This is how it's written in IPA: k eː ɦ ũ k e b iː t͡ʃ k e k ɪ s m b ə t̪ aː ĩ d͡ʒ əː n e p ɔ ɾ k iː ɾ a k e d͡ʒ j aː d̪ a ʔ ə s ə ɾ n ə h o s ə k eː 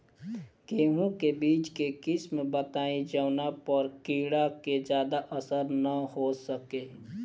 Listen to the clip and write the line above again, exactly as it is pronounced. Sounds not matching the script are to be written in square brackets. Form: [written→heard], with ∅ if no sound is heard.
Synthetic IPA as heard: k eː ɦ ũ k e b iː t͡ʃ k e k ɪ s m b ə t̪ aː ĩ d͡ʒ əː n [e→a] p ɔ ɾ k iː [ɾ→ɽ] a k e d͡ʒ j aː d̪ a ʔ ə s ə ɾ n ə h o s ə k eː